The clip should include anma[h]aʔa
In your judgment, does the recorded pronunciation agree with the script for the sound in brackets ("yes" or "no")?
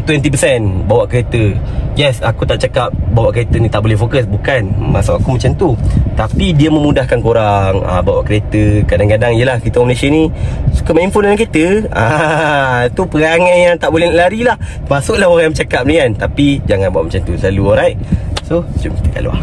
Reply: no